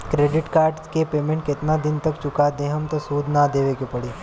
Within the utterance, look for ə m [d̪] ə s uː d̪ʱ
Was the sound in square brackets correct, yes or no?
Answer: no